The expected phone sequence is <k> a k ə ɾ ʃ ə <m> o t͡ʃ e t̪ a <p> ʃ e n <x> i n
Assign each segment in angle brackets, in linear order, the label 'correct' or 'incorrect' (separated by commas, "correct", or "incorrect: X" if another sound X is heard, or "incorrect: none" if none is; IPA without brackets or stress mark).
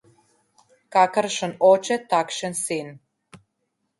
correct, incorrect: n, incorrect: k, incorrect: s